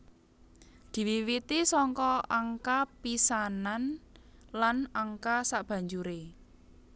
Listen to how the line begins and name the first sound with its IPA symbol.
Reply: d̪̥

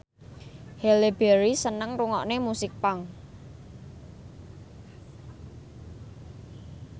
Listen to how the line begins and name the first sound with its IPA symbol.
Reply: h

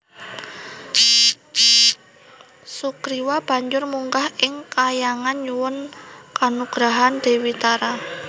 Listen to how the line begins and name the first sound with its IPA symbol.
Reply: s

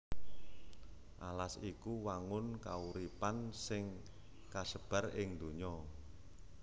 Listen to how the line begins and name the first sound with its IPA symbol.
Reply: ʔ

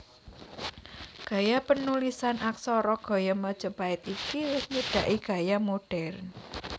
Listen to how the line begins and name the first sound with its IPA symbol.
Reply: ɡ̥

